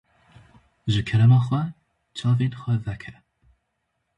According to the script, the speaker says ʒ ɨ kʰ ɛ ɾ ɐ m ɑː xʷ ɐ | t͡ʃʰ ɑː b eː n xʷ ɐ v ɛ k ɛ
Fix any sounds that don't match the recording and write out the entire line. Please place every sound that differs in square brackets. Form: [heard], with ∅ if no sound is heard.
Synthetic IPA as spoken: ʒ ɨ kʰ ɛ ɾ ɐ m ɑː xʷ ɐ | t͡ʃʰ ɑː [v] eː n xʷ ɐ v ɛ [kʰ] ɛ